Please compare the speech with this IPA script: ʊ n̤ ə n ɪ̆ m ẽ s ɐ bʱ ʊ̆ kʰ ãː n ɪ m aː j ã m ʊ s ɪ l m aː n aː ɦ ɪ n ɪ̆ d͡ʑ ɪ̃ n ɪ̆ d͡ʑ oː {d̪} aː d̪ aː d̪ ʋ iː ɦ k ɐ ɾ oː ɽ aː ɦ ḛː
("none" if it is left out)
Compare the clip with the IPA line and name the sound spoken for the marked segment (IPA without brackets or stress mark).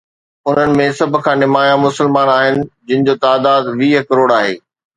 t̪